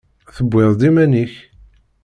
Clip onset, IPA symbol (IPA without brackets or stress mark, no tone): θ